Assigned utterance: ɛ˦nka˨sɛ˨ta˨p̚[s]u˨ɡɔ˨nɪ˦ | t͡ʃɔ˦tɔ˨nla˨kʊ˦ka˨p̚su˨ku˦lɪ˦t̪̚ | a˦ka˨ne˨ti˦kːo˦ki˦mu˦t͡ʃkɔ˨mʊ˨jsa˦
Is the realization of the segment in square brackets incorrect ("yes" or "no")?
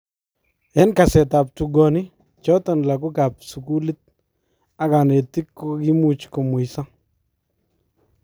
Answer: yes